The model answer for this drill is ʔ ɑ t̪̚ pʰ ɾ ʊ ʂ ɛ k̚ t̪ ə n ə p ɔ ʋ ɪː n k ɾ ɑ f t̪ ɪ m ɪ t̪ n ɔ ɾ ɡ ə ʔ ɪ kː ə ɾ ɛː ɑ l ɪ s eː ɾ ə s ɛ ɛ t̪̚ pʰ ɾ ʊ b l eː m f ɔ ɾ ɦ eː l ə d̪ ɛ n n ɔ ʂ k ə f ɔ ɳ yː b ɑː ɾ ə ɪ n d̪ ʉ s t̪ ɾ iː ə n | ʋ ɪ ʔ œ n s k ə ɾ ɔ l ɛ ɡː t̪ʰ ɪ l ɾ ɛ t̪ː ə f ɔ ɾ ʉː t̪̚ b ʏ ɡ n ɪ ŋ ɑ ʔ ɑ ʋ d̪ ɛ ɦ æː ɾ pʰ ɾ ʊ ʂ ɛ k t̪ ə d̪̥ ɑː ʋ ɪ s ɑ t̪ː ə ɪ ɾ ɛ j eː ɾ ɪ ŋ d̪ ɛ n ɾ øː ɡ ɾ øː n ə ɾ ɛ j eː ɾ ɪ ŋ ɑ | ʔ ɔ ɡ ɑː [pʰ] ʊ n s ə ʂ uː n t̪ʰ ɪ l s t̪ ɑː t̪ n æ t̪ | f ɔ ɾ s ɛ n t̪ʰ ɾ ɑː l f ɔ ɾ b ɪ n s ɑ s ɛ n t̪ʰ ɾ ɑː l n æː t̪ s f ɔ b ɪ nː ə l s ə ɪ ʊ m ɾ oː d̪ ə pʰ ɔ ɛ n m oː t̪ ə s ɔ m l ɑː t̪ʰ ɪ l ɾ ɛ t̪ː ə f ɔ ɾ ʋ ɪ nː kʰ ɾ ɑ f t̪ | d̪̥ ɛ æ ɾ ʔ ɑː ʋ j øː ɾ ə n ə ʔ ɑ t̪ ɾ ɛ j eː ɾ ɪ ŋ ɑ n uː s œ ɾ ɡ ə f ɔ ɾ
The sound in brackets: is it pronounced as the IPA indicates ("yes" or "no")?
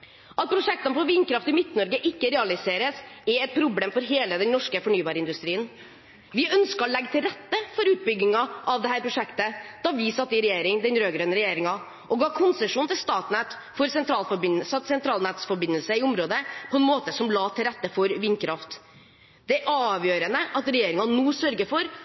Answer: no